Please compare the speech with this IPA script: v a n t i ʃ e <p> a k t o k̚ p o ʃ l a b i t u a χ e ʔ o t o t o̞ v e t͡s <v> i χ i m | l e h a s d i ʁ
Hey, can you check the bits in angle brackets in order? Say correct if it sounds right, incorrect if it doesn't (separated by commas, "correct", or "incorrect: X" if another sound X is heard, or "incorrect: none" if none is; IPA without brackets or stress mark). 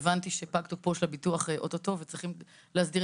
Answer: correct, incorrect: ʁ